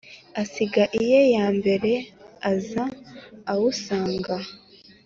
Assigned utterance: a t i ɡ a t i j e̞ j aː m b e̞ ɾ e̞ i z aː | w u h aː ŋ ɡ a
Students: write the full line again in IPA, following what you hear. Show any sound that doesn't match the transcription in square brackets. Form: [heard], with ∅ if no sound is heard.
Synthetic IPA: a [s] i ɡ a [ʔ] i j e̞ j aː m b e̞ ɾ e̞ [a] z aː | w u [s] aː ŋ ɡ a